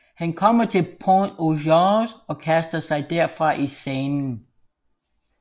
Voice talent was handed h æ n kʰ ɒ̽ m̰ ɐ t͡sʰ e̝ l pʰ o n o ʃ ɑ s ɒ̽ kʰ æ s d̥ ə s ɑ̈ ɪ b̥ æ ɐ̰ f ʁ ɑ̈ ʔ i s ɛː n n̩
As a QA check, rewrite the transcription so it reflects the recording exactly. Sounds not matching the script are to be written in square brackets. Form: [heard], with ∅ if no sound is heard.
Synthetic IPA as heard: h æ n kʰ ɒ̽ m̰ ɐ t͡sʰ e̝ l pʰ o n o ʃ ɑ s ɒ̽ kʰ æ s d̥ [ɐ] s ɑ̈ ɪ [d̥] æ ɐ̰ f ʁ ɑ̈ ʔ i s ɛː n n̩

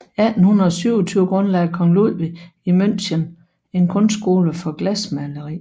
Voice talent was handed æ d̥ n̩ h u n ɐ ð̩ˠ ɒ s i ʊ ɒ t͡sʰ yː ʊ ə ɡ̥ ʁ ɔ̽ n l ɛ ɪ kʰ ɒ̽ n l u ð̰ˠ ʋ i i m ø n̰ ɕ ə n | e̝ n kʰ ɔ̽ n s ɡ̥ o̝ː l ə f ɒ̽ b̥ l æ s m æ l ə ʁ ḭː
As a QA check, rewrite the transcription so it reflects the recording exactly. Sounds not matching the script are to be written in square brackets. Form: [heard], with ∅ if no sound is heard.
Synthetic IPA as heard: æ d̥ n̩ h u n ɐ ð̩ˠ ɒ s [y] ʊ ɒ t͡sʰ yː ʊ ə ɡ̥ ʁ ɔ̽ n l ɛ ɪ kʰ ɒ̽ [ŋ] l u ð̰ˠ ʋ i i m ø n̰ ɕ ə n | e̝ n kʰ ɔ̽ n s ɡ̥ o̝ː l ə f ɒ̽ [ɡ̥] l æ s m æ l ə ʁ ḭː

